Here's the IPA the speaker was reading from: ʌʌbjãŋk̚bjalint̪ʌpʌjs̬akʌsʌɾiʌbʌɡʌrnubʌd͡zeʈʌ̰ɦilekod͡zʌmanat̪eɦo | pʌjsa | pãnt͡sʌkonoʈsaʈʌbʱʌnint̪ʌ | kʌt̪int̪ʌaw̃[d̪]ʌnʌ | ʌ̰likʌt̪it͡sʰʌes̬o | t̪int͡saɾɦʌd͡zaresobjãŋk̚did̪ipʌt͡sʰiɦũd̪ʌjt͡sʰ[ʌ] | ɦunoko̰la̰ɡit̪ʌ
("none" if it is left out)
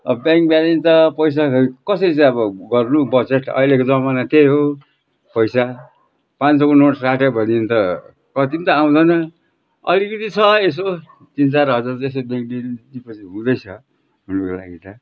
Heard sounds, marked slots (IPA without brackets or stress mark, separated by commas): d̪, ʌ